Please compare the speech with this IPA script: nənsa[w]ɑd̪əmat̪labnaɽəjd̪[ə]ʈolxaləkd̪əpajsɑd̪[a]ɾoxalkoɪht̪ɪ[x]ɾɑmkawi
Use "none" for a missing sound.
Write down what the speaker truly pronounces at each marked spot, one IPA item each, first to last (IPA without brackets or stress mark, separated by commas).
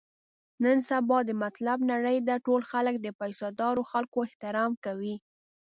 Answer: b, a, ɑ, none